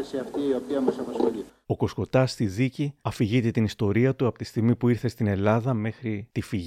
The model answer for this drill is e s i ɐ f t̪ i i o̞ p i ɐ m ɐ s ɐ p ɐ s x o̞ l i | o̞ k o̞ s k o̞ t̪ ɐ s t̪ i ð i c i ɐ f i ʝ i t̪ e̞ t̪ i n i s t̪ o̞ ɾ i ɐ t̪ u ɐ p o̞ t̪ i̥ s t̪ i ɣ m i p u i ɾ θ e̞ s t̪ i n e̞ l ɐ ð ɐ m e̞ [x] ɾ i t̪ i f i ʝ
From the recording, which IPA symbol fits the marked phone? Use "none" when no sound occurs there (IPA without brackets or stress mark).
x